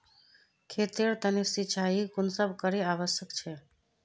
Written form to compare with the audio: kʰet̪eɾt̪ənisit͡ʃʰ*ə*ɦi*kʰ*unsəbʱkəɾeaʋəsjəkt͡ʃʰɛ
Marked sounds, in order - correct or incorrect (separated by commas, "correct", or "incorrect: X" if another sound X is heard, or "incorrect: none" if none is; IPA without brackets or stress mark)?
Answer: incorrect: a, incorrect: k